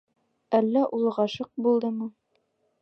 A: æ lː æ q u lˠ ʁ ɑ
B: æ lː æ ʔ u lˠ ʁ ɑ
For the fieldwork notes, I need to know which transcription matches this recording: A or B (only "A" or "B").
B